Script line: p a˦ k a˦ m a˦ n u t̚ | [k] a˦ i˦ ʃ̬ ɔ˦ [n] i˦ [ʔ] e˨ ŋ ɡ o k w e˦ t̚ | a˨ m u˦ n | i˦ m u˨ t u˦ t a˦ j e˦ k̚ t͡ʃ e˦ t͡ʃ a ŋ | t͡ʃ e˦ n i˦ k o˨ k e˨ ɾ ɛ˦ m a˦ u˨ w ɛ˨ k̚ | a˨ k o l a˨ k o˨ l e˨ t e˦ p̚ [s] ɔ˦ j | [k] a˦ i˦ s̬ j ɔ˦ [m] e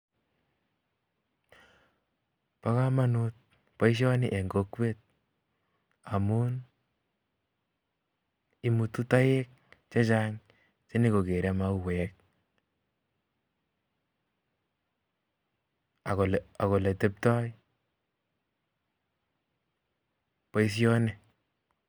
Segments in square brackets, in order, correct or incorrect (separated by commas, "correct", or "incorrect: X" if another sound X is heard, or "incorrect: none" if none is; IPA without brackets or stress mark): incorrect: p, correct, correct, incorrect: t, incorrect: p, incorrect: n